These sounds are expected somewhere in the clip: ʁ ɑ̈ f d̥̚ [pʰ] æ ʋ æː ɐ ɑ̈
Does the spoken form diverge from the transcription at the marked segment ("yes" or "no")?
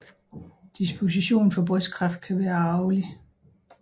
yes